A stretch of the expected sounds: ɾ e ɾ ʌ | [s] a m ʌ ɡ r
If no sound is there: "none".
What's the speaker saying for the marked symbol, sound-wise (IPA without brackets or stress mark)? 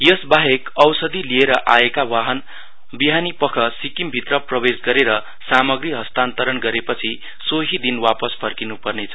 s